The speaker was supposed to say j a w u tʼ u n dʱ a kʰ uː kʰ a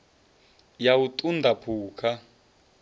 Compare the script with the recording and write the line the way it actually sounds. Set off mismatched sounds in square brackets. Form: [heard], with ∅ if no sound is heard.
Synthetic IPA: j a w u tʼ u n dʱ a [pʰ] uː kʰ a